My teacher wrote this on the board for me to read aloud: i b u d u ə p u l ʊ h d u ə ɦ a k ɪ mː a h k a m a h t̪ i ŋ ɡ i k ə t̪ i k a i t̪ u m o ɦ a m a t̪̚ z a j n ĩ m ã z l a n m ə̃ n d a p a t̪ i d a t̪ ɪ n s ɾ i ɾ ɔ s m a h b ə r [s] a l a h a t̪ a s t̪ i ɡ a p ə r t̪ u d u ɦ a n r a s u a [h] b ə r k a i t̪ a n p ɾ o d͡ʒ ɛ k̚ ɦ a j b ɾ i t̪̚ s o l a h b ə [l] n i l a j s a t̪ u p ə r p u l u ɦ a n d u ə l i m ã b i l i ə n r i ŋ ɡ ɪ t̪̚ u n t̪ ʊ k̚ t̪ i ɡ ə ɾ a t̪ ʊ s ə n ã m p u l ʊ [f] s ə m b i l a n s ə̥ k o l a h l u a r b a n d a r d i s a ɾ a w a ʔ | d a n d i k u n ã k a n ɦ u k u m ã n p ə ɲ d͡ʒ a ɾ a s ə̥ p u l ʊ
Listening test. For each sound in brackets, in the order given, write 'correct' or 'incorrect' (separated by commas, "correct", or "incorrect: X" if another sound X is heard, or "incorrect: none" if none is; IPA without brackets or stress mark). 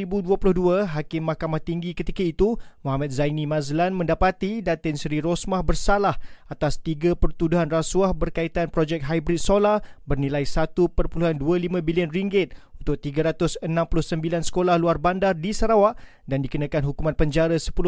correct, correct, incorrect: r, incorrect: h